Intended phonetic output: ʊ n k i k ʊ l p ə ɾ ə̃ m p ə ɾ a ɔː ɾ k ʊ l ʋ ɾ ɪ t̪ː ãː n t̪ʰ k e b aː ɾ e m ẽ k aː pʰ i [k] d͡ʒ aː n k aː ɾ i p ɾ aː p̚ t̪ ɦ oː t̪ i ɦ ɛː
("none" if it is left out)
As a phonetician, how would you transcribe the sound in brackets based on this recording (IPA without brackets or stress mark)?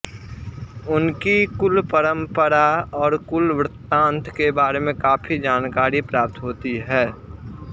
none